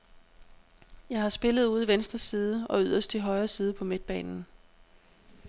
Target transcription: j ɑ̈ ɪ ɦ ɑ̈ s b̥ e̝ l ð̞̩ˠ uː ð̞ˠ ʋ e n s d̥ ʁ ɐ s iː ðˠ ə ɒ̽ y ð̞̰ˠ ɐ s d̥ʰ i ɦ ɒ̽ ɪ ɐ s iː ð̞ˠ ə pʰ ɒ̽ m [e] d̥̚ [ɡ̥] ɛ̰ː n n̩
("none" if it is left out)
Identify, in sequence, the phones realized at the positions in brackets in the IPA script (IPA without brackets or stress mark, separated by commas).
e, b̥